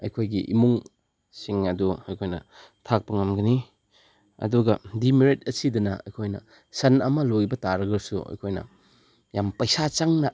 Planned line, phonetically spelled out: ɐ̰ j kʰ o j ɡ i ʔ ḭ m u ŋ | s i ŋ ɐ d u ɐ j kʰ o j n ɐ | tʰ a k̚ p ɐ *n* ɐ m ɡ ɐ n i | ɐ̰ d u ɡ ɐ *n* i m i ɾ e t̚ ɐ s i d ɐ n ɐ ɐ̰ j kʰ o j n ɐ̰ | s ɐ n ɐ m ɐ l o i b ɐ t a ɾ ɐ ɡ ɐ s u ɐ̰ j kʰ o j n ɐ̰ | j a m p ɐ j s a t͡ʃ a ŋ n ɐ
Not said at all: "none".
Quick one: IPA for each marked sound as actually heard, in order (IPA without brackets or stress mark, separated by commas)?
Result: ŋ, d